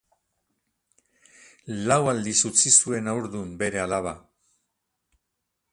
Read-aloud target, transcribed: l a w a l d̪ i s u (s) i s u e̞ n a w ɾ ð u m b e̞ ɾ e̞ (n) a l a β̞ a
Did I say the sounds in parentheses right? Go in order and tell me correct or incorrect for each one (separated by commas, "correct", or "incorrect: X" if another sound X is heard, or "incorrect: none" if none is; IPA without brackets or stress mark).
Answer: incorrect: t͡s, incorrect: none